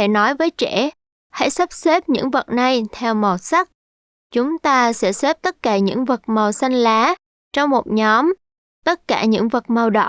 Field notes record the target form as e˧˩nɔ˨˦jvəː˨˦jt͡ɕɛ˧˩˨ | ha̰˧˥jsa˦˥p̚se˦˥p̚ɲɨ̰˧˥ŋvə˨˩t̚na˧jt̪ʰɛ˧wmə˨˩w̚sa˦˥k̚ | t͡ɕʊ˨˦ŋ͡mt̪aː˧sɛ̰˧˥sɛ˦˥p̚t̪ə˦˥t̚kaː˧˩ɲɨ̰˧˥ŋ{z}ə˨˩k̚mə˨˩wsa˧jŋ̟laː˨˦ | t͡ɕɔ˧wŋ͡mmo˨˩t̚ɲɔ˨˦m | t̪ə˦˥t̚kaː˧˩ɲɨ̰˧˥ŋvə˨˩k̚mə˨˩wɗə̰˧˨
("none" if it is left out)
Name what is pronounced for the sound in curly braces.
v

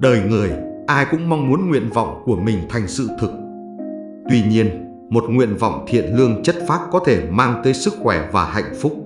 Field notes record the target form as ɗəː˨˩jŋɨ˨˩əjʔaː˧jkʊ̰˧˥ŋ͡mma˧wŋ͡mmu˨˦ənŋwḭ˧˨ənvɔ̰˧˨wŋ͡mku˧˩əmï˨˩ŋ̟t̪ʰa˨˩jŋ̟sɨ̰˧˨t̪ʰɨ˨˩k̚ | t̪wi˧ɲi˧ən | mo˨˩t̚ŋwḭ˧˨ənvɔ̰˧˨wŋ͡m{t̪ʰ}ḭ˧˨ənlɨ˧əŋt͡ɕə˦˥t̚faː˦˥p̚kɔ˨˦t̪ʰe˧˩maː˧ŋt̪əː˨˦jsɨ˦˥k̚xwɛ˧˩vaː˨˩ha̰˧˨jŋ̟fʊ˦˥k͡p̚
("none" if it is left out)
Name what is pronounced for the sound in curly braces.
t̪ʰ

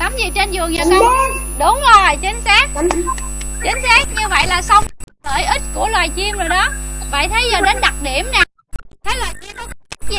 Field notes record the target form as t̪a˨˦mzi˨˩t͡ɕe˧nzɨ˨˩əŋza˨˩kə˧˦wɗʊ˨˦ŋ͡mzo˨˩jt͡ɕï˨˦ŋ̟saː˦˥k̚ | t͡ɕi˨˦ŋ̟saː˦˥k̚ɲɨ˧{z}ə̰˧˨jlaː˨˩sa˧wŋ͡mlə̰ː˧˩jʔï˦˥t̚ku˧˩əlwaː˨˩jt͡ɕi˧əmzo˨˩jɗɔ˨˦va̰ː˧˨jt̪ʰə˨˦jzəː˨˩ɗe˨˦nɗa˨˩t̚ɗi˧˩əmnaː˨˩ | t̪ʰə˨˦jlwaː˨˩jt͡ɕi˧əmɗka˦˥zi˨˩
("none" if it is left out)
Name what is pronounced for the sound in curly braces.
v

